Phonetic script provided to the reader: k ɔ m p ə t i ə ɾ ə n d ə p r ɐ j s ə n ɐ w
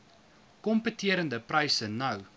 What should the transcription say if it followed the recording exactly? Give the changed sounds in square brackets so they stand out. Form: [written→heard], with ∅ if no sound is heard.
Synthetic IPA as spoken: k ɔ m p ə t i ə ɾ ə n d ə p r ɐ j s ə n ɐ w